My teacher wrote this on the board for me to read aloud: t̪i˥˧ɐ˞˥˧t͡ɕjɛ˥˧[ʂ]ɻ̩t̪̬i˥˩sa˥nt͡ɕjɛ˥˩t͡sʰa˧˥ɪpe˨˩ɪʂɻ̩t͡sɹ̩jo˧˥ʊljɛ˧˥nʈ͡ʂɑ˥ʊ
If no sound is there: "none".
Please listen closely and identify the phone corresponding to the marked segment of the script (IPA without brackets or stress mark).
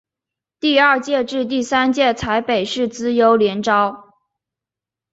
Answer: ʈ͡ʂ